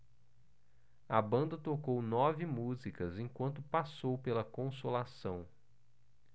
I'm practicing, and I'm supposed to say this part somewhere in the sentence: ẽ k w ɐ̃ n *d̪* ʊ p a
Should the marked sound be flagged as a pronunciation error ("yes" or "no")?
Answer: yes